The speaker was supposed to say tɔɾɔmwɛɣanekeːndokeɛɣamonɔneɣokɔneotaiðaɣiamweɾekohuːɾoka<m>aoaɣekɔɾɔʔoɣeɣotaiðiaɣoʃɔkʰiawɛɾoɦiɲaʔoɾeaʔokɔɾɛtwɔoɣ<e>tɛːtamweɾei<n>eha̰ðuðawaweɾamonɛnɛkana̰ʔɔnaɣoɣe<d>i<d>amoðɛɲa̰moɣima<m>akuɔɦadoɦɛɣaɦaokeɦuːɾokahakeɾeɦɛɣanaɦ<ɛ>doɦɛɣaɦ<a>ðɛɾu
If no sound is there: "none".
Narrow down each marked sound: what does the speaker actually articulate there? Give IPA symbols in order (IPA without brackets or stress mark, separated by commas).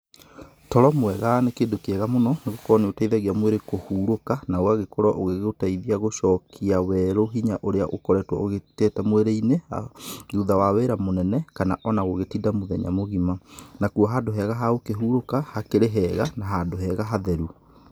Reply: n, e, n, t, d, n, a, a